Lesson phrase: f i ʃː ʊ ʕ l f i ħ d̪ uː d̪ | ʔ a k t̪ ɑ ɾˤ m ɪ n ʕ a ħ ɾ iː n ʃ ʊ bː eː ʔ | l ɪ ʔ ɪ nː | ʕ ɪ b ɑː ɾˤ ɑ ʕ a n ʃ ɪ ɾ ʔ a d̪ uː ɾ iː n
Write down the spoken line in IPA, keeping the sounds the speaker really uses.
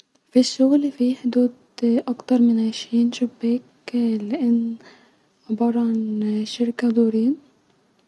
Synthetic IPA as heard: f i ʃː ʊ ɣ l f i ħ d̪ uː d̪ | ʔ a k t̪ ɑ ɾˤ m ɪ n ʕ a ʃ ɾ iː n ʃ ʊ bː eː k | l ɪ ʔ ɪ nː | ʕ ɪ b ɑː ɾˤ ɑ ʕ a n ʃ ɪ ɾ k a d̪ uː ɾ iː n